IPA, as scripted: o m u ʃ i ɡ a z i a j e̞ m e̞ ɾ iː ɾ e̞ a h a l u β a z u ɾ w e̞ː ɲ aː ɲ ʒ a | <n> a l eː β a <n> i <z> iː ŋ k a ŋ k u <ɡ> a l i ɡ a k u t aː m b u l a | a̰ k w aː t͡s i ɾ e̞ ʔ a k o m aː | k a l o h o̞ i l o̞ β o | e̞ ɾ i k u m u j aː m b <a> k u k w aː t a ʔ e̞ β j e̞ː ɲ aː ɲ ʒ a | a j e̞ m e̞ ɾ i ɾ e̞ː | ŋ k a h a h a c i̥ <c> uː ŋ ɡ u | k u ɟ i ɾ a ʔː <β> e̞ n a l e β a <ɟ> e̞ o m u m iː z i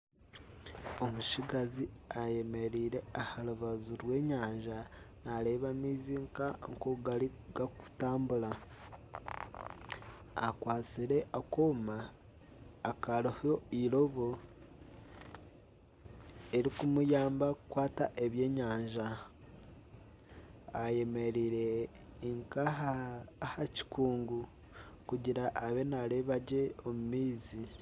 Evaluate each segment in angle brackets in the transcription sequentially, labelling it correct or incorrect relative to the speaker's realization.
correct, incorrect: m, correct, correct, correct, incorrect: k, correct, correct

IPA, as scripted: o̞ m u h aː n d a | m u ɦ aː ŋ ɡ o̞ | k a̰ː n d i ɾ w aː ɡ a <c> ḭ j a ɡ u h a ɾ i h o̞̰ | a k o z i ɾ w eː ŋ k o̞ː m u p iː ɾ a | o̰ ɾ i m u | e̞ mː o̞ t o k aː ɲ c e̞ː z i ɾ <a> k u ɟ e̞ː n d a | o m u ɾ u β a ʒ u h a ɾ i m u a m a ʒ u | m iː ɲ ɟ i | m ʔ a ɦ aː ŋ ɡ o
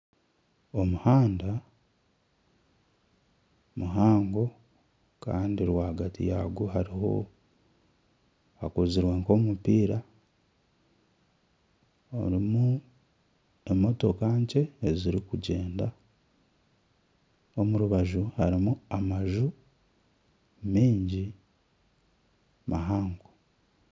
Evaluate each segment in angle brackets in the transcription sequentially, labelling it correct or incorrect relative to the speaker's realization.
incorrect: t, incorrect: i

